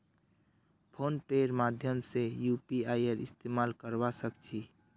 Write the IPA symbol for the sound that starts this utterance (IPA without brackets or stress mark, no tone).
pʰ